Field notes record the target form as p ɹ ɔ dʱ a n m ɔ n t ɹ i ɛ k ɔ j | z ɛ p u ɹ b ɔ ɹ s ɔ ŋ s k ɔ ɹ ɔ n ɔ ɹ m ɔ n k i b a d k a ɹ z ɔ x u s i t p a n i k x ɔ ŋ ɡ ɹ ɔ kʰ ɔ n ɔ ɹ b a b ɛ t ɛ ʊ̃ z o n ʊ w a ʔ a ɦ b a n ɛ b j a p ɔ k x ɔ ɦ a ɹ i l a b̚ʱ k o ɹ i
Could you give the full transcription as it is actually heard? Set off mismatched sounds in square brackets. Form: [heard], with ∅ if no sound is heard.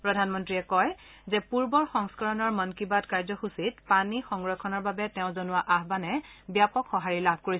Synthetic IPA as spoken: p ɹ ɔ dʱ a n m ɔ n t ɹ i ɛ k ɔ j | z ɛ p u ɹ b ɔ ɹ [x] ɔ ŋ s k ɔ ɹ ɔ n ɔ ɹ m ɔ n k i b a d k a ɹ z ɔ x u s i t p a n i [∅] x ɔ ŋ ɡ ɹ ɔ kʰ ɔ n ɔ ɹ b a b ɛ t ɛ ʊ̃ z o n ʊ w a ʔ a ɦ b a n ɛ b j a p ɔ k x ɔ ɦ a ɹ i l a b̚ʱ k o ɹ i